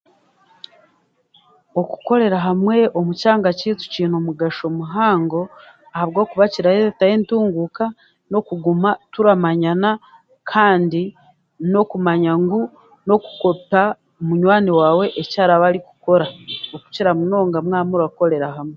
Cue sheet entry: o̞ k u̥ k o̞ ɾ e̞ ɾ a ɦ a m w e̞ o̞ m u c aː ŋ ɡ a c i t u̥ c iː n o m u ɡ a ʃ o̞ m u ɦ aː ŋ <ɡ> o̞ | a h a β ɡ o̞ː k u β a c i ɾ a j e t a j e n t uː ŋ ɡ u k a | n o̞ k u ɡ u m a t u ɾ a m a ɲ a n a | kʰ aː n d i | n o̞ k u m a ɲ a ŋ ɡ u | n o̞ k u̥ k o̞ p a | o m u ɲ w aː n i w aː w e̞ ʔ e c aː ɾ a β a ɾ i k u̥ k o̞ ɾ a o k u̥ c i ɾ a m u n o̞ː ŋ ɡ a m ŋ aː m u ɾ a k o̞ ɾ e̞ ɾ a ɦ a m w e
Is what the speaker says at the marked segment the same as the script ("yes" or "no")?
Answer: yes